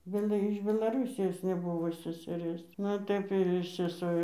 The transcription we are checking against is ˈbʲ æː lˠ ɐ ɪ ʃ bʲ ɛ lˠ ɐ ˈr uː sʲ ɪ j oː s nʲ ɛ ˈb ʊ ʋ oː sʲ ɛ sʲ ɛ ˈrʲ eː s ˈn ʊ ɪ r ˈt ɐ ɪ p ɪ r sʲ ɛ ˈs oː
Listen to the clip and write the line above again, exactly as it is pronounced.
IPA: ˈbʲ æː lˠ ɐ ɪ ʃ bʲ ɛ lˠ ɐ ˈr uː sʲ ɪ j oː s nʲ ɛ ˈb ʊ ʋ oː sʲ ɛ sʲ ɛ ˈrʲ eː s ˈn ʊ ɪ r ˈt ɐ ɪ p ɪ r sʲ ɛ ˈs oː